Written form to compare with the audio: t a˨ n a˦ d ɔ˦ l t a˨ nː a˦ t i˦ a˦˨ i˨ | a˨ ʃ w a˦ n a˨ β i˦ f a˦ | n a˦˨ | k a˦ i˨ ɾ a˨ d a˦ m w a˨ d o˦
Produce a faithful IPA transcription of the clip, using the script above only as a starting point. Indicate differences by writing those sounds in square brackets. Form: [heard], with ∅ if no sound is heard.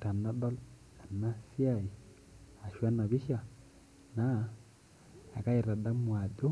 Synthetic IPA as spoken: t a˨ n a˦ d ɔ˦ l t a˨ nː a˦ [s] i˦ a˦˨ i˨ | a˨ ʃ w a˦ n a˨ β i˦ [ʃ] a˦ | n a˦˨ | k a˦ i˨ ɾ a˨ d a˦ m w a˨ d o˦